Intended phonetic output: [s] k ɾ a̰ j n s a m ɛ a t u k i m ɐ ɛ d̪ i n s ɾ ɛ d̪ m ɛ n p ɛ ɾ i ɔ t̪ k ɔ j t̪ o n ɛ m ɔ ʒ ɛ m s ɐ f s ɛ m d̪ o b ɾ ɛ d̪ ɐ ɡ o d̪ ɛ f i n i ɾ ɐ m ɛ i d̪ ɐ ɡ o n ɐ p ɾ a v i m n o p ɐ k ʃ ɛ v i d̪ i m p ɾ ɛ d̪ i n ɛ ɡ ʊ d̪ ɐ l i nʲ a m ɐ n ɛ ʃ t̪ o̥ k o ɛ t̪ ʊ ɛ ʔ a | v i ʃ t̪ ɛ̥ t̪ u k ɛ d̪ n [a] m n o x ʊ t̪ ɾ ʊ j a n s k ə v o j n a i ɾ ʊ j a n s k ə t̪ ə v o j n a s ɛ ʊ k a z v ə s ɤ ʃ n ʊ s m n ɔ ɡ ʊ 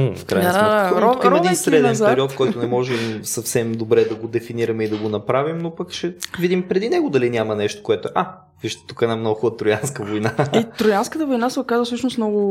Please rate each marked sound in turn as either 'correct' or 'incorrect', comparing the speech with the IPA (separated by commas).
incorrect, correct